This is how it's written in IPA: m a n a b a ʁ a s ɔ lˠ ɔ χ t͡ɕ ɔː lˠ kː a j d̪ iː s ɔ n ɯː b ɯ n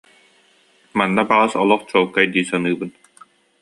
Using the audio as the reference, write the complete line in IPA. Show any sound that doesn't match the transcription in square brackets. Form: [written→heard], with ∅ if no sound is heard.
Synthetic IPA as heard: m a [n→nː] a b a ʁ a s ɔ lˠ ɔ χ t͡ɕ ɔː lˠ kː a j d̪ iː s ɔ n ɯː b ɯ n